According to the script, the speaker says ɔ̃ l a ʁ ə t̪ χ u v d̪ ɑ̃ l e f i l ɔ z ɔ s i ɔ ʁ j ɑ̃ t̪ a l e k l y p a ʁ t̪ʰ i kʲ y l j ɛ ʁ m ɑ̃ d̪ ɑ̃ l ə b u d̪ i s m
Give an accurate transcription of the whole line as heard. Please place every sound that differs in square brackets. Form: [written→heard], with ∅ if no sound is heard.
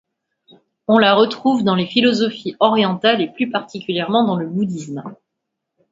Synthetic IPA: ɔ̃ l a ʁ ə t̪ χ u v d̪ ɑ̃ l e f i l ɔ z ɔ [s→f] i ɔ ʁ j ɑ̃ t̪ a l e [k→p] l y p a ʁ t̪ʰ i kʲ y l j ɛ ʁ m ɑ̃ d̪ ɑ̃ l ə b u d̪ i s m